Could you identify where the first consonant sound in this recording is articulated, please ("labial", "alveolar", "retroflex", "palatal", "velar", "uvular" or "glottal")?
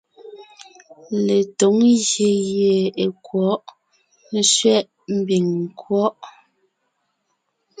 alveolar